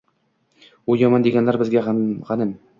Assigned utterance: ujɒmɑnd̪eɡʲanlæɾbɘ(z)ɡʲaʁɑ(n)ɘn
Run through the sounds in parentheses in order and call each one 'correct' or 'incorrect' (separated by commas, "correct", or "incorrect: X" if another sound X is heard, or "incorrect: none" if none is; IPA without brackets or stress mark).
correct, correct